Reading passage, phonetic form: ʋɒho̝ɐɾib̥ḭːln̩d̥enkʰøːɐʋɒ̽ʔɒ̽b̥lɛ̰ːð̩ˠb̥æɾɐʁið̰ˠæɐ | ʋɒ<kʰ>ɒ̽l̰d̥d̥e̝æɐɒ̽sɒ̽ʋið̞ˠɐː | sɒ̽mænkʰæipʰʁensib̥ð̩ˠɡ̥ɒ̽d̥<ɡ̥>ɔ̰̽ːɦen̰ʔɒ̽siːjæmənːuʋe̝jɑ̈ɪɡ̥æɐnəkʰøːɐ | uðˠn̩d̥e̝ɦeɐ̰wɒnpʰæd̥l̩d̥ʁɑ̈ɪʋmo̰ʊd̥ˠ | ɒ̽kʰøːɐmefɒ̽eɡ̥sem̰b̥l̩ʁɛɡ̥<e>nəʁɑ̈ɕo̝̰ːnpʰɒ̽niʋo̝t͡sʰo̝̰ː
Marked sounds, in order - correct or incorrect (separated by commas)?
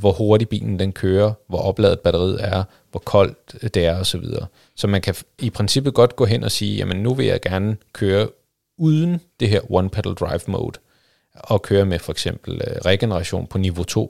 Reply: correct, correct, correct